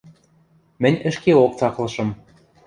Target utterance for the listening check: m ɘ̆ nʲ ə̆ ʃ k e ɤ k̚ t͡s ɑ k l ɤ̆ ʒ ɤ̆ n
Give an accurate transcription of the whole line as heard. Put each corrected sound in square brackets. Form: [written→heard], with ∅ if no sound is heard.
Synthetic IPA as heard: m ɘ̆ nʲ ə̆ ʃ k e [ɤ→o] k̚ t͡s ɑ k l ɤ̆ [ʒ→ʃ] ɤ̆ [n→m]

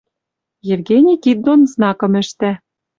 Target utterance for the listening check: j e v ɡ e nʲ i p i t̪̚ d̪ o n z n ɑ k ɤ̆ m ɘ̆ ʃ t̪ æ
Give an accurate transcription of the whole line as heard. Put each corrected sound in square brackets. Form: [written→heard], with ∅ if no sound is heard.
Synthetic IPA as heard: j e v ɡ e nʲ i [p→k] i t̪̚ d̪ o n z n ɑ k ɤ̆ m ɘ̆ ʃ t̪ æ

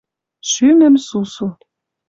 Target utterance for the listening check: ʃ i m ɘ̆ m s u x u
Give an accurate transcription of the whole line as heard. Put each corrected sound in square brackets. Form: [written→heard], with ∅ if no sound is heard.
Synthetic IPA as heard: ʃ [i→y] m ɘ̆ m s u [x→s] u

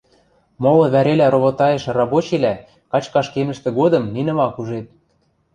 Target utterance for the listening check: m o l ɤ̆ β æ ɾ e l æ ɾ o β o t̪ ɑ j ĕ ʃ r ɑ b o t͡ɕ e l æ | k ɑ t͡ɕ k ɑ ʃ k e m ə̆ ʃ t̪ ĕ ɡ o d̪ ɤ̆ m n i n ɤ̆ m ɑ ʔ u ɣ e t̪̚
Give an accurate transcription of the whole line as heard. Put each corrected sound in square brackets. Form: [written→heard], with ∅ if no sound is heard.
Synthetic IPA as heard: m o l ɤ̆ β æ ɾ e l æ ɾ o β o t̪ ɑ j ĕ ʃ r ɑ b o t͡ɕ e l æ | k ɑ t͡ɕ k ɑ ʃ k e m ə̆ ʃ t̪ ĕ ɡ o d̪ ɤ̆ m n i n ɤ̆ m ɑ [ʔ→k] u [ɣ→ʒ] e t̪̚

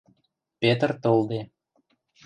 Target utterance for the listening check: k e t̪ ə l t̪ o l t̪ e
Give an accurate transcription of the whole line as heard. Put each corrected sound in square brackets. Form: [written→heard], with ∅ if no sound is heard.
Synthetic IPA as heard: [k→p] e t̪ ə [l→r] t̪ o l [t̪→d̪] e

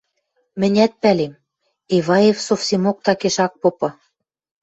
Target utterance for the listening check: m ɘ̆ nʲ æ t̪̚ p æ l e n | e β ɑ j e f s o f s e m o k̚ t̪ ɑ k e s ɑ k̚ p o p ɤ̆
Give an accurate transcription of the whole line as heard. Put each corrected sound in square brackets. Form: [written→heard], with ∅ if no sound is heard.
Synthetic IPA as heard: m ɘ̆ nʲ æ t̪̚ p æ l e [n→m] | e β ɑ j e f s o f s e m o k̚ t̪ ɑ k e [s→ʃ] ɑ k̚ p o p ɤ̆

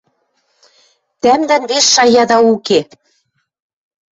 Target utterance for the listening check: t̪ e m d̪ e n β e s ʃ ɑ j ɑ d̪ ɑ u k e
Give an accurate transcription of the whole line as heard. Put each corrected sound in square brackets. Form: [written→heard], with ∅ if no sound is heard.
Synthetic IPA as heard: t̪ [e→æ] m d̪ [e→æ] n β e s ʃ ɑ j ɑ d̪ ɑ u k e

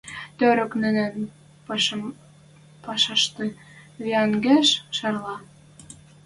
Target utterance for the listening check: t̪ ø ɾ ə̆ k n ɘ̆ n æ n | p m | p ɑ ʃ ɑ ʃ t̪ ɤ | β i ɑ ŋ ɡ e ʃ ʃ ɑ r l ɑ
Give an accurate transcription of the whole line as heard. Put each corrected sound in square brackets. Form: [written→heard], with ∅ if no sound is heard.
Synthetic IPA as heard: t̪ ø ɾ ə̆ k n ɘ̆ n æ n | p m | p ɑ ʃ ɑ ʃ t̪ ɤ | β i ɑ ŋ ɡ e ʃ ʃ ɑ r l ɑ

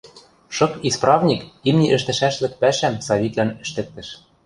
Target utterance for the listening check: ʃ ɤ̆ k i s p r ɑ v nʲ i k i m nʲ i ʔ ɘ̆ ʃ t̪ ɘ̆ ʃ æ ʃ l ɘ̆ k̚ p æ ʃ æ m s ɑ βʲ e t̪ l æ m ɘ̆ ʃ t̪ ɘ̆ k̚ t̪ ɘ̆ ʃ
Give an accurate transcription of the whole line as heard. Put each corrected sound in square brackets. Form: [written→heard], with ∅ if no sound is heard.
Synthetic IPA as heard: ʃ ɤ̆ k i s p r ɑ v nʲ i k i m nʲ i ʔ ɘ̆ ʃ t̪ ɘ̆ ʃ æ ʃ l ɘ̆ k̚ p æ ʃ æ m s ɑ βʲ [e→i] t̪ l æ [m→n] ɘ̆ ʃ t̪ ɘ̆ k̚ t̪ ɘ̆ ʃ

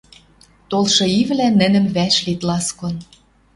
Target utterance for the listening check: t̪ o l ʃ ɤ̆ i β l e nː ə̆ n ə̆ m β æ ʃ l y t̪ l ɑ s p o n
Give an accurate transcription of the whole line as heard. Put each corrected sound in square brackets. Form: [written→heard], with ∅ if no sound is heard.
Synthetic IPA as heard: t̪ o l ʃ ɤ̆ i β l [e→æ] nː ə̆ n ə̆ m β æ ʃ l [y→i] t̪ l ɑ s [p→k] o n

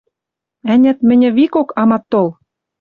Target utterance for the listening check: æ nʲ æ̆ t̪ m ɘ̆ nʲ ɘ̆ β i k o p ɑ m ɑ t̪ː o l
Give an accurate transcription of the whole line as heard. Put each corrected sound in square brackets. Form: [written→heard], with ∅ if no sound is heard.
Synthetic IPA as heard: æ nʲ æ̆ t̪ m ɘ̆ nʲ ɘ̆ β i k o [p→k] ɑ m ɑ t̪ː o l

